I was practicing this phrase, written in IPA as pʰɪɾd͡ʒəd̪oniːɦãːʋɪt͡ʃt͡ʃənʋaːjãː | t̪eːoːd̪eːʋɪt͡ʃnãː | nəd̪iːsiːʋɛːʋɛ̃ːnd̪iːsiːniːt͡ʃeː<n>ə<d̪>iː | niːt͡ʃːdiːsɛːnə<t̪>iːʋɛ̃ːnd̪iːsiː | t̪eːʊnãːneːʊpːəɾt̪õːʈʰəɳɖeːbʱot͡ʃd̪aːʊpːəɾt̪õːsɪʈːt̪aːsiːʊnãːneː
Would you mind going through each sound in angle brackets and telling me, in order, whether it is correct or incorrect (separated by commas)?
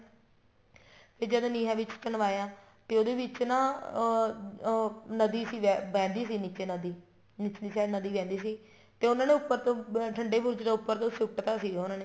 correct, correct, incorrect